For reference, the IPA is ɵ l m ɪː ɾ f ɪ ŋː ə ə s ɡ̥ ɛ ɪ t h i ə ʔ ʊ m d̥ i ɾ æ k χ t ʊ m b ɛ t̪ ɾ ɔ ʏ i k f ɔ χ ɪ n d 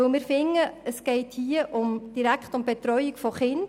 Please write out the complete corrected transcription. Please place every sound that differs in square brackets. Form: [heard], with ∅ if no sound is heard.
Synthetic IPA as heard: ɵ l m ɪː ɾ f ɪ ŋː ə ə s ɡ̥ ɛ ɪ t h i ə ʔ ʊ m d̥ i ɾ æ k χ t ʊ m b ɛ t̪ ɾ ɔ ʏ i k f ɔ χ ɪ n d